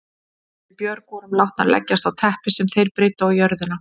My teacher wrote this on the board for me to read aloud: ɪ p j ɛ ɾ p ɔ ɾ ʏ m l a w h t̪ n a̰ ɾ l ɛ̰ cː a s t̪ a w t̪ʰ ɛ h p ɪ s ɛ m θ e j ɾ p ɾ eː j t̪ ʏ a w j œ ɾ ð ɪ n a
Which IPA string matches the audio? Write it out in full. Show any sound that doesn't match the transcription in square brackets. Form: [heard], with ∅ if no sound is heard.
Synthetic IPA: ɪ p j [œ] ɾ [k] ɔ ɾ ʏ m l a w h t̪ n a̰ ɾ l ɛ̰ cː a s t̪ a w t̪ʰ ɛ h p ɪ s ɛ m θ e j ɾ p ɾ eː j t̪ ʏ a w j œ ɾ ð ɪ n a